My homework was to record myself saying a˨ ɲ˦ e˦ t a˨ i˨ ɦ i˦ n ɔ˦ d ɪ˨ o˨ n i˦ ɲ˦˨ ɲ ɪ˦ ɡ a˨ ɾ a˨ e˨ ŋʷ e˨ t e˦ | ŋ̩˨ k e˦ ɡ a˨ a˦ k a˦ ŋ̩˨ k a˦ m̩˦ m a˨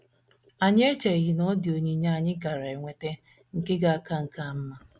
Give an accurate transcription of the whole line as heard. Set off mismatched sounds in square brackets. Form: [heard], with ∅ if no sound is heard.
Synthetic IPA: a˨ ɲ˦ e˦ [t͡ʃ] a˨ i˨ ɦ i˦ n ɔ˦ d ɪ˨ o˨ [ɲ] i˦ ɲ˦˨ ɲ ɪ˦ ɡ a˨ ɾ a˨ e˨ ŋʷ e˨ t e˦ | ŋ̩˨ k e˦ ɡ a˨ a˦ k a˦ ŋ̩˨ k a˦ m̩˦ m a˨

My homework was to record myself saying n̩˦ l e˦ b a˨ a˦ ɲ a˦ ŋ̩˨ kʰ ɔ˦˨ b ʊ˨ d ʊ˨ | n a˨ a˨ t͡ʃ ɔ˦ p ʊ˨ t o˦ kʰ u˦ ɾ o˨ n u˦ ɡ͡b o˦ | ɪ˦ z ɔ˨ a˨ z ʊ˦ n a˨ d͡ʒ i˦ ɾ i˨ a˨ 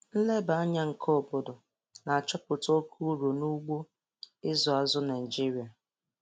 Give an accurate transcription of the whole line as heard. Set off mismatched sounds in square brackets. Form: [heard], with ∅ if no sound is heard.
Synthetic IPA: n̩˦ l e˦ b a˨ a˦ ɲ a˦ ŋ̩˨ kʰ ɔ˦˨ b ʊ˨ d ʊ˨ | n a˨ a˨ t͡ʃ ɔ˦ p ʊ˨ t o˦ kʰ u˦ ɾ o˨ n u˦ ɡ͡b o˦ | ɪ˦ z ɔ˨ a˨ z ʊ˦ n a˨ d͡ʒ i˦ ɾ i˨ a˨

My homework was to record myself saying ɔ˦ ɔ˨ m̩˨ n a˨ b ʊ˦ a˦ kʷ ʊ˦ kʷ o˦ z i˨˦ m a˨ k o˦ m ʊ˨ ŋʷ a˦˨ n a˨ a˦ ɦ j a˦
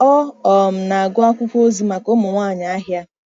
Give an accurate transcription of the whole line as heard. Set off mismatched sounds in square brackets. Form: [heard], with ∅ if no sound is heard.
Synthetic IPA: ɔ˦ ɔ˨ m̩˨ n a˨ [ɡ] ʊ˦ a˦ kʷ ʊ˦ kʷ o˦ z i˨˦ m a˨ k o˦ m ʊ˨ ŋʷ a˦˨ [ɲ] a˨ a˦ ɦ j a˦

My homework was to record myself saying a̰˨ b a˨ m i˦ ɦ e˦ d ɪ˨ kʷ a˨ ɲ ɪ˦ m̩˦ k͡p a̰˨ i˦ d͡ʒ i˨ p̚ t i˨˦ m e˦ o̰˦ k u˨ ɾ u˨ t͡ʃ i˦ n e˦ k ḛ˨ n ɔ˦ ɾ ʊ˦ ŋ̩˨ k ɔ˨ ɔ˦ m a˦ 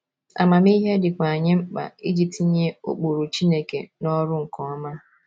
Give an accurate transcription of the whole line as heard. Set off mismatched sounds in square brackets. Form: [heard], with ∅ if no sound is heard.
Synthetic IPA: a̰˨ [m] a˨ m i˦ ɦ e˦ d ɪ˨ kʷ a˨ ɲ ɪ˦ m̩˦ k͡p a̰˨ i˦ d͡ʒ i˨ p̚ t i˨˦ [ɲ] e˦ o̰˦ [k͡p] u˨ ɾ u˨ t͡ʃ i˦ n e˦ k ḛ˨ n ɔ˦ ɾ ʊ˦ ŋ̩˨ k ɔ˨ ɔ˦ m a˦

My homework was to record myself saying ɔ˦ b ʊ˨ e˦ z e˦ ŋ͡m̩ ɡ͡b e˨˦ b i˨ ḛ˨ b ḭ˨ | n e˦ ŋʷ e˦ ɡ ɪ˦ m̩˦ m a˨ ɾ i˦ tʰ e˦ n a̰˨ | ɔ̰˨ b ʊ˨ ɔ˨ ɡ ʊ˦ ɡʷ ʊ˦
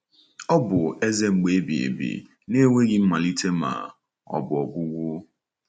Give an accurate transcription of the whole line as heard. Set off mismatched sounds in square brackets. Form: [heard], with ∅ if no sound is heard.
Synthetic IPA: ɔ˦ b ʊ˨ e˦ z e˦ ŋ͡m̩ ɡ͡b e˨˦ b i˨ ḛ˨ b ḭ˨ | n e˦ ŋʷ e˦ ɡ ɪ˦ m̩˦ m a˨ [l] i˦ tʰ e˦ [m] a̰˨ | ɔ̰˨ b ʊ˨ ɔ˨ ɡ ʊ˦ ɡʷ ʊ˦

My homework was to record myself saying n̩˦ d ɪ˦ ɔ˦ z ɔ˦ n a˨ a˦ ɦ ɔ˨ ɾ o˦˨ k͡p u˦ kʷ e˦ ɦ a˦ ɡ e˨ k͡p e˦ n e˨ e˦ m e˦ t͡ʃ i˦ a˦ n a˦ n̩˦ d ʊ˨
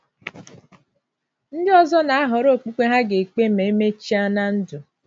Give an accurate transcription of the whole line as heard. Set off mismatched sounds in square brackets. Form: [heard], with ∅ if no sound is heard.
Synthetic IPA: n̩˦ d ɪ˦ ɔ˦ z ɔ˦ n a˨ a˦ ɦ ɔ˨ ɾ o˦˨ k͡p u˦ kʷ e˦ ɦ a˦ ɡ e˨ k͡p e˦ [m] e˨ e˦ m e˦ t͡ʃ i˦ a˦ n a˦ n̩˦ d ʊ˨

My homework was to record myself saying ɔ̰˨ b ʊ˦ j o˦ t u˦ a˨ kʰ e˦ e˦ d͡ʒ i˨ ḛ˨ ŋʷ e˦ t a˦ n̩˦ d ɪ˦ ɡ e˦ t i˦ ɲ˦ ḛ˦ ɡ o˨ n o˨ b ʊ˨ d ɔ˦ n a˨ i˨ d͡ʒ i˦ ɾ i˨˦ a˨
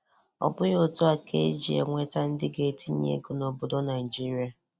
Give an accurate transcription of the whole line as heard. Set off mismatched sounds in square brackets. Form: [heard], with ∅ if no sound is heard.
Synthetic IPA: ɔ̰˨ b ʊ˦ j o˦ t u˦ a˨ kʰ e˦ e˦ d͡ʒ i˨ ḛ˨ ŋʷ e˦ t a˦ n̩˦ d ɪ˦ ɡ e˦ t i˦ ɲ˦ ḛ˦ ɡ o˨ n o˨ b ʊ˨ d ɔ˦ n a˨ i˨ d͡ʒ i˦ ɾ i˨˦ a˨

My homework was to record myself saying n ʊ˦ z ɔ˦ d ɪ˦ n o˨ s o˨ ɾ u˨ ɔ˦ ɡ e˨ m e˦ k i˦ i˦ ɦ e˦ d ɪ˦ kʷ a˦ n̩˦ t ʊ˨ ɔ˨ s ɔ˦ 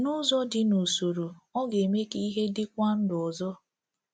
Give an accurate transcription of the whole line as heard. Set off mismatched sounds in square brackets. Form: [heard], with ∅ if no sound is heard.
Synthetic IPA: n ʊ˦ z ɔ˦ d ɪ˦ n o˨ s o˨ ɾ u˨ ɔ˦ ɡ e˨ m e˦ k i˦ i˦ ɦ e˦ d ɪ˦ kʷ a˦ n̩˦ [d] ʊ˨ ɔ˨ [z] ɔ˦

